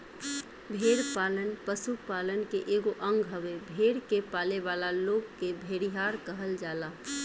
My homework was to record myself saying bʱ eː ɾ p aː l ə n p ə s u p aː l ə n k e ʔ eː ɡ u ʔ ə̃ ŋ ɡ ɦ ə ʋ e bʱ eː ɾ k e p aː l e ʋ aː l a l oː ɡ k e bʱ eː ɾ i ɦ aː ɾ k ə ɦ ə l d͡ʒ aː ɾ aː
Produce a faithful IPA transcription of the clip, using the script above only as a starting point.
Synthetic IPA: bʱ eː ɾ p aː l ə n p ə s u p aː l ə n k e ʔ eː ɡ o ʔ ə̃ ŋ ɡ ɦ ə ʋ e bʱ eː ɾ k e p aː l e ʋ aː l a l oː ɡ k e bʱ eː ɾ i ɦ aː ɾ k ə ɦ ə l d͡ʒ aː l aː